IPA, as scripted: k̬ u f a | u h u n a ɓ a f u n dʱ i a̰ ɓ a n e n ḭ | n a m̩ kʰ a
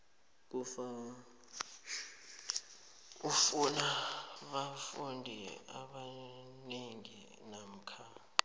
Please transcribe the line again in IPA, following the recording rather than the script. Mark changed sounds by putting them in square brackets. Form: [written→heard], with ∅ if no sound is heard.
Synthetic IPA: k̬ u f a | u [h→f] u n a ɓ a f u n dʱ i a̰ ɓ a n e [n→ŋ] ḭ | n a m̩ kʰ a